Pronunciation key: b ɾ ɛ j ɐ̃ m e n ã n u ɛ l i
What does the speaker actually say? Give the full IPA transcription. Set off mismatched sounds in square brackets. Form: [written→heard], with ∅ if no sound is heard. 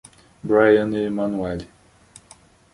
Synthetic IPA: b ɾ [ɛ→a] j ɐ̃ [m→n] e [n→m] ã n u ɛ l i